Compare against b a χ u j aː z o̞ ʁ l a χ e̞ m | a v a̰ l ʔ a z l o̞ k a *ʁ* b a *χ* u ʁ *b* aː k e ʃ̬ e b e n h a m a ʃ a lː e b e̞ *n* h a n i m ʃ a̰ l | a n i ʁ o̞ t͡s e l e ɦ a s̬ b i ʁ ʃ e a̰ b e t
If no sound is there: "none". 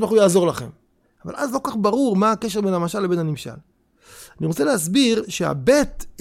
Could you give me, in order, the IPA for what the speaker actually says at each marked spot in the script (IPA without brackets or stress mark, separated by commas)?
χ, ʁ, m, n